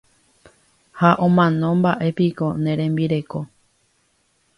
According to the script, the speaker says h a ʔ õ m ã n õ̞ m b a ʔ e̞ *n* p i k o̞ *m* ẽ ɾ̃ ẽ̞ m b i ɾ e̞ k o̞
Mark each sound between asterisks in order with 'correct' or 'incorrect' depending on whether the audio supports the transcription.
incorrect, incorrect

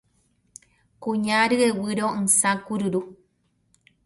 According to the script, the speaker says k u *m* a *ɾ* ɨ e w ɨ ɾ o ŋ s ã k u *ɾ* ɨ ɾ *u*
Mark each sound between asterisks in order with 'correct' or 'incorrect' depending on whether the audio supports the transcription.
incorrect, correct, correct, correct

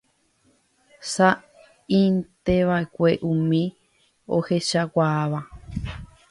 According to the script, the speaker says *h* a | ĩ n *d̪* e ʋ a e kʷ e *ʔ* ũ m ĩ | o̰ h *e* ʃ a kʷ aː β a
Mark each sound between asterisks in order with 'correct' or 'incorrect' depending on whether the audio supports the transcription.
incorrect, incorrect, correct, correct

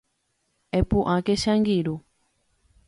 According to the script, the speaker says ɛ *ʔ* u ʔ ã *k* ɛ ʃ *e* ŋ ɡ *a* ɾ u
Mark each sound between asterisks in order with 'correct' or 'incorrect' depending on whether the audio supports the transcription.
incorrect, correct, incorrect, incorrect

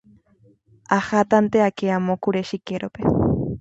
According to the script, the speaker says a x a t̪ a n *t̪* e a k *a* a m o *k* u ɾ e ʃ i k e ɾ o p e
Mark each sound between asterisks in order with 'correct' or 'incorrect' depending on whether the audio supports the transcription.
correct, incorrect, correct

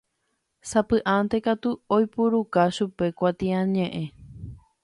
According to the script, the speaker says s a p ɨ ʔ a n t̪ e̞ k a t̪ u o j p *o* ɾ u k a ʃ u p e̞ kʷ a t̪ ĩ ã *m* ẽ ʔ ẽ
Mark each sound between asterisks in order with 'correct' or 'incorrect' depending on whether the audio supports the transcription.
incorrect, incorrect

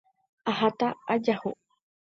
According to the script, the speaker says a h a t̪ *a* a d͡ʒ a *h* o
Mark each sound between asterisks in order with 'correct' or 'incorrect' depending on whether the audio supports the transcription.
correct, correct

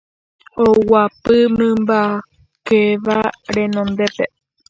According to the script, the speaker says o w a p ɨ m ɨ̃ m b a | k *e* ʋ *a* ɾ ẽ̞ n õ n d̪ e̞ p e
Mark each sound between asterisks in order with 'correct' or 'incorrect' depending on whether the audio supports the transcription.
correct, correct

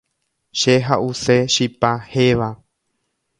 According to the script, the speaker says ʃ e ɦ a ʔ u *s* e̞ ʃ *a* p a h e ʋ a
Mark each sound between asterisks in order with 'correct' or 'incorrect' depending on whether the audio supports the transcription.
correct, incorrect

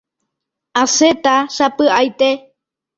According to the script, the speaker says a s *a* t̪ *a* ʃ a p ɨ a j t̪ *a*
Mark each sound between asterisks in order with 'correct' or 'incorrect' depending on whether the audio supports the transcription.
incorrect, correct, incorrect

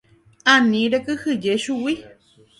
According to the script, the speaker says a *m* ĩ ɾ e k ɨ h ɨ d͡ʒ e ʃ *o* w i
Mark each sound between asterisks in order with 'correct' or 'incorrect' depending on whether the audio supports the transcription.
incorrect, incorrect

